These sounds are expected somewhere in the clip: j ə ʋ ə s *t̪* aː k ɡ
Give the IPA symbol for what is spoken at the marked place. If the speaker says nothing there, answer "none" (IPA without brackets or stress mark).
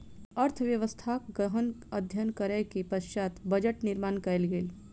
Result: t̪ʰ